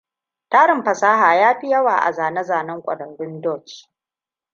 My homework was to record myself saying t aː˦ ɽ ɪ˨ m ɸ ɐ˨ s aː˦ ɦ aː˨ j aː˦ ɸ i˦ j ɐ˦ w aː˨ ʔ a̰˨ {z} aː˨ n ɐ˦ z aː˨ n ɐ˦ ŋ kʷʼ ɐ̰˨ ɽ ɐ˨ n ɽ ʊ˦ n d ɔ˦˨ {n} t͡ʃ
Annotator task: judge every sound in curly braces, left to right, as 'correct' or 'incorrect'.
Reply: correct, incorrect: none

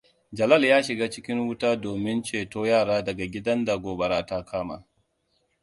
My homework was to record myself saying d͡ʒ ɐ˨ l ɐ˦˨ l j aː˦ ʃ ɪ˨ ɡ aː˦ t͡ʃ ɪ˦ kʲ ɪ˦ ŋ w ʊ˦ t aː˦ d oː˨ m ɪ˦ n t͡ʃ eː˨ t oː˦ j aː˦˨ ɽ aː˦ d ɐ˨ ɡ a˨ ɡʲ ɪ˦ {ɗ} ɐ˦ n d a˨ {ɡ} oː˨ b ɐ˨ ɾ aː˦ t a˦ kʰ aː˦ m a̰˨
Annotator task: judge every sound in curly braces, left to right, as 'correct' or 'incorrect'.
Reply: incorrect: d, correct

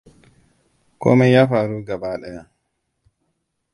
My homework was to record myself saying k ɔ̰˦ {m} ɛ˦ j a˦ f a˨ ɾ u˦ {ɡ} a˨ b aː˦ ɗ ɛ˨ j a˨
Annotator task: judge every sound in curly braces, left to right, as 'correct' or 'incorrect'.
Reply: correct, correct

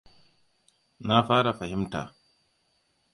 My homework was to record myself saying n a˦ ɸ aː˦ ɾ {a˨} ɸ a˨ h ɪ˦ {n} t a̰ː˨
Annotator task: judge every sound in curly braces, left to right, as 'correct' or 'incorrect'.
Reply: correct, incorrect: m

